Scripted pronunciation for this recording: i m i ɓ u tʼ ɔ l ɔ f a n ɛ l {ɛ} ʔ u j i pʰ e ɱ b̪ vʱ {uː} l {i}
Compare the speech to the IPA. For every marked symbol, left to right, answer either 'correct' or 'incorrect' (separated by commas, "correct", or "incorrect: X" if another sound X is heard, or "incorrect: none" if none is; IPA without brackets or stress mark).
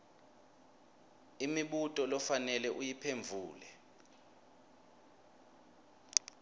correct, correct, incorrect: ɛ